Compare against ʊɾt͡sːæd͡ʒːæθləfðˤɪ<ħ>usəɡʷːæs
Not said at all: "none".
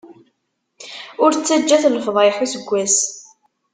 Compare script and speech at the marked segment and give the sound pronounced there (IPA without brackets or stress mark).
ħ